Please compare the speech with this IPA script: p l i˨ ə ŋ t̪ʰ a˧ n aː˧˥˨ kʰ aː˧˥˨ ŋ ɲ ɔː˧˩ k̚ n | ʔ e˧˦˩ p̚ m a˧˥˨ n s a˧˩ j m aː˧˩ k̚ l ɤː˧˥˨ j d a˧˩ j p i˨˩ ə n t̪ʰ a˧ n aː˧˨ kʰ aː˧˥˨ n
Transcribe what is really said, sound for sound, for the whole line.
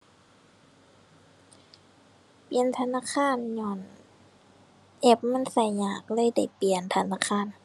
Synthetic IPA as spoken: p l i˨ ə n t̪ʰ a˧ n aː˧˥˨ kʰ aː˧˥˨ n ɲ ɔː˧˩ n | ʔ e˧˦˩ p̚ m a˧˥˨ n s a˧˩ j ɲ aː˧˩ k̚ l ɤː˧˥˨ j d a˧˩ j p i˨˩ ə n t̪ʰ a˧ n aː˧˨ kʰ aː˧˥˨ n